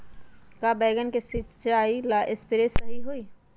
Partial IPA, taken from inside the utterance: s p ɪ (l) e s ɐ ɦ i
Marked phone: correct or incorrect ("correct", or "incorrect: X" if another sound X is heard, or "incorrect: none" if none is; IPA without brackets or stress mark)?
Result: incorrect: ɾ